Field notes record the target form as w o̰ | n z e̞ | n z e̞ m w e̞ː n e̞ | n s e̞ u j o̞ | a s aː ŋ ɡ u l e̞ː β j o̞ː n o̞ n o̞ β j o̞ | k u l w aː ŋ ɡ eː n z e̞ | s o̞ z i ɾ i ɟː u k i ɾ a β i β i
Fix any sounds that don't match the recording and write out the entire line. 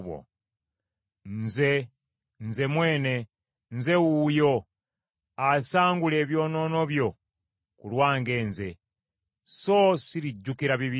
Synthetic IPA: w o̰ | n z e̞ | n z e̞ m w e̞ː n e̞ | n z e̞ u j o̞ | a s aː ŋ ɡ u l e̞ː β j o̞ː n o̞ n o̞ β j o̞ | k u l w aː ŋ ɡ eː n z e̞ | s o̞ s i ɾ i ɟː u k i ɾ a β i β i